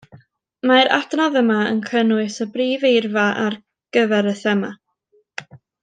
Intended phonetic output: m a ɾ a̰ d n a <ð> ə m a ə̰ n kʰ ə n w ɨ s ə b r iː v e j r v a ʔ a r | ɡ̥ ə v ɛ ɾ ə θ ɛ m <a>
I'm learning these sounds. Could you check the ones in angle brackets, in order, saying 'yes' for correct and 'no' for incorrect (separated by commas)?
yes, yes